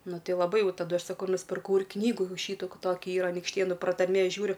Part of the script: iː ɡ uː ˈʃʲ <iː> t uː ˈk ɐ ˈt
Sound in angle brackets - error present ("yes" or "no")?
no